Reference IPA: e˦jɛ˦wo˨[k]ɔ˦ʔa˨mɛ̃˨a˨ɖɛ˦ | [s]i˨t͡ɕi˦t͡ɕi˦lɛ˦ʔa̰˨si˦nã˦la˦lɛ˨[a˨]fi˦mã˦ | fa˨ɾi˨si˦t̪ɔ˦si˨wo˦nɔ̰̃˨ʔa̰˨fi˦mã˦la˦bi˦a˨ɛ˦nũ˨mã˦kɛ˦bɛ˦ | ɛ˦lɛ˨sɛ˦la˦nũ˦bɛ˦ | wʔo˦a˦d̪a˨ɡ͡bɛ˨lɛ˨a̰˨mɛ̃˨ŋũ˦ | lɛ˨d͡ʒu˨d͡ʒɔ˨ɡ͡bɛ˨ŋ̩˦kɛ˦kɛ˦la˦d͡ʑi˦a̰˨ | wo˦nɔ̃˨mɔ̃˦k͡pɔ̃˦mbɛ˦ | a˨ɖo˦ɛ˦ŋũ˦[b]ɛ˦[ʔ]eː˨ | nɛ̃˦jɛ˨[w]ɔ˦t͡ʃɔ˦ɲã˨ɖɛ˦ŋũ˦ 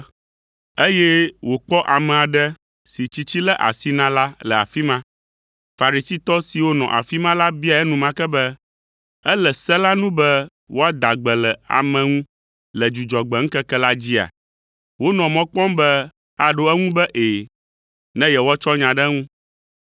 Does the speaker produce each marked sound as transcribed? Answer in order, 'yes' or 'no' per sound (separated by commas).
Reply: no, yes, yes, yes, yes, yes